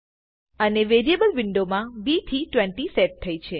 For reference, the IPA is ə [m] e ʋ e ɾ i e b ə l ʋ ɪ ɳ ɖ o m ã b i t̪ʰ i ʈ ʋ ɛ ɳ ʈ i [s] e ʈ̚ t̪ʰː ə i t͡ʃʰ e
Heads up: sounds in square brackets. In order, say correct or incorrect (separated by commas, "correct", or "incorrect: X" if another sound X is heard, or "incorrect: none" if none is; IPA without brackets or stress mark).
incorrect: n, correct